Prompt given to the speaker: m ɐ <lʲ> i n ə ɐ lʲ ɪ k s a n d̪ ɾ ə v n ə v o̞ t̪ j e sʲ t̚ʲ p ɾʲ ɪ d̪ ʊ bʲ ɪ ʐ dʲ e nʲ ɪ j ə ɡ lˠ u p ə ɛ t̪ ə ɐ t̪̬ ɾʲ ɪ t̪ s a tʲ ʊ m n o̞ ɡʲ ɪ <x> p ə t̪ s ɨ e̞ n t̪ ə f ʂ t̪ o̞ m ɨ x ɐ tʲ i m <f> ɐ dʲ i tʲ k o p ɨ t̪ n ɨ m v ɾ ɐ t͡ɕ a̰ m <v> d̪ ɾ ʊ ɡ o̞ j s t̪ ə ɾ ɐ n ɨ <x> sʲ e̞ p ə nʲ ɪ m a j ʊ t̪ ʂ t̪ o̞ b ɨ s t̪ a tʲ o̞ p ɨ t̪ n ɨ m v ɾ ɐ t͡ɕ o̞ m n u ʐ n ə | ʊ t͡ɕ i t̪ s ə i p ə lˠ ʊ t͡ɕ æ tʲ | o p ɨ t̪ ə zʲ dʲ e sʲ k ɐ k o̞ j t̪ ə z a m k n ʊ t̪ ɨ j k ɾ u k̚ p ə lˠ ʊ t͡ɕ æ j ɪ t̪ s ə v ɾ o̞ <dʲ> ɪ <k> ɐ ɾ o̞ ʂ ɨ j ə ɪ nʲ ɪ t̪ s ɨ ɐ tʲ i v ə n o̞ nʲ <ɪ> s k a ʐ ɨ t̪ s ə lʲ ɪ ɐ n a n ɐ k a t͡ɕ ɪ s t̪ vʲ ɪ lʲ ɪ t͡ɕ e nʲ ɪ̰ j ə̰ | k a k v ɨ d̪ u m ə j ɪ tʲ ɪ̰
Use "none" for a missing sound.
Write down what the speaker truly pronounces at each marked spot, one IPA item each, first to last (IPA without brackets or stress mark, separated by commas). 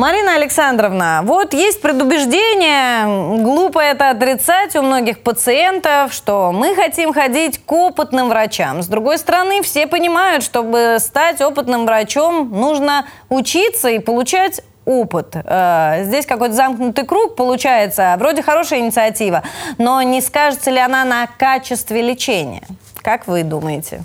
ɾʲ, x, x, z, f, dʲ, x, ɪ